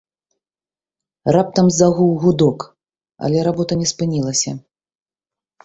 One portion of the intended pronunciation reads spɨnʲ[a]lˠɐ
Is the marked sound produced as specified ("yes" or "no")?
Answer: no